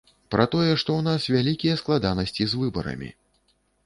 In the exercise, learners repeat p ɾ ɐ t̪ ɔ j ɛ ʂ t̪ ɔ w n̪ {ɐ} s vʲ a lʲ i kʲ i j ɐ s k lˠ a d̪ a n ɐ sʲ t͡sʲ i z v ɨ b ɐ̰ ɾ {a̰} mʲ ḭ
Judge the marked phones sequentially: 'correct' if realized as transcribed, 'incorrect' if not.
incorrect: a, incorrect: ɐ̰

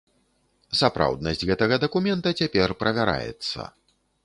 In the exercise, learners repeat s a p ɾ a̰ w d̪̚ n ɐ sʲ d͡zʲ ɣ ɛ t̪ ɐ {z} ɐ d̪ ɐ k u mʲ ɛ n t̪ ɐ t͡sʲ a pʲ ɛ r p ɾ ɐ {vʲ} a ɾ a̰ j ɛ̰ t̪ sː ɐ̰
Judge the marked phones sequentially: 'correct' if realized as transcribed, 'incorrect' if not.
incorrect: ɣ, correct

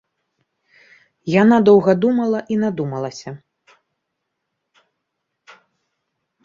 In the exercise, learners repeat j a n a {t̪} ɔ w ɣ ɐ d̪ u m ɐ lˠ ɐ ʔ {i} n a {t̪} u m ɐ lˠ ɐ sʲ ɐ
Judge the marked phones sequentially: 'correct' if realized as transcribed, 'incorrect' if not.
incorrect: d̪, correct, incorrect: d̪

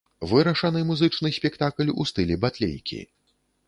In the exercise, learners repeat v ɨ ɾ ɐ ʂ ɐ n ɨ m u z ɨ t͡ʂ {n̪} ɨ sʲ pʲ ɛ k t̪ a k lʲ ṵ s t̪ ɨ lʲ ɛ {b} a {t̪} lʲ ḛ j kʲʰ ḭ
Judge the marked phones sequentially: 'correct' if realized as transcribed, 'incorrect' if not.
correct, correct, correct

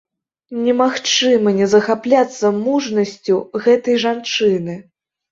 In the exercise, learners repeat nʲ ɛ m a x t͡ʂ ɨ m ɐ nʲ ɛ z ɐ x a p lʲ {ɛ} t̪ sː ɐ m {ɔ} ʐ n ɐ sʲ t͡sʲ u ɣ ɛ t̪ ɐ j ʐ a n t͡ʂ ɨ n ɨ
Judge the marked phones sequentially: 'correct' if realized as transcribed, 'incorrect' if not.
incorrect: a, incorrect: u

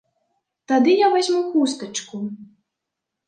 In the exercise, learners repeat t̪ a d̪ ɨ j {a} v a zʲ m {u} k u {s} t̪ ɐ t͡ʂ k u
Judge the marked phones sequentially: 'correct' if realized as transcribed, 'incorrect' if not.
correct, correct, correct

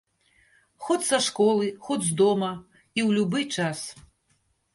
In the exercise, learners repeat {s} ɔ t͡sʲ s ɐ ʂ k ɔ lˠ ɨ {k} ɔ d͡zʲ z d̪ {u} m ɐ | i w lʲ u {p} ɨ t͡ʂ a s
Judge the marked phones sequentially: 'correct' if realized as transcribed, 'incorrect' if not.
incorrect: x, incorrect: x, incorrect: ɔ, incorrect: b

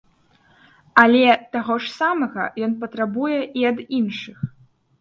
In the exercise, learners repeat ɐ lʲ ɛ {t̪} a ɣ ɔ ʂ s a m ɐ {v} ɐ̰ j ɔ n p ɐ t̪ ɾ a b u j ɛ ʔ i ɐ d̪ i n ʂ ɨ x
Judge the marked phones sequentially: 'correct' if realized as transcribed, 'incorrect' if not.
correct, incorrect: ɣ

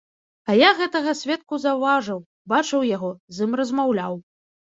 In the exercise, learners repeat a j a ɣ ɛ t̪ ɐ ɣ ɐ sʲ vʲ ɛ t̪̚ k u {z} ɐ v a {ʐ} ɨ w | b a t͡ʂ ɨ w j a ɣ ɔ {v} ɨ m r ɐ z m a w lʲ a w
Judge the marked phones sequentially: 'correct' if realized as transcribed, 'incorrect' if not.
correct, correct, incorrect: z

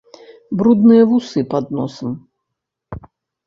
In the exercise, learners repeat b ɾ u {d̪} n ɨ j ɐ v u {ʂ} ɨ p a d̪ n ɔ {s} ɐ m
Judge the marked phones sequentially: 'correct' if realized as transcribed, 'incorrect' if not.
correct, incorrect: s, correct

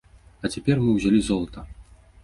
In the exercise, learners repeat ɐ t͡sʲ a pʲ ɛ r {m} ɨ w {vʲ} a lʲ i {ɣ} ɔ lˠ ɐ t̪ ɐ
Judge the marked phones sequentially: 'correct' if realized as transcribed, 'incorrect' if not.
correct, incorrect: zʲ, incorrect: z

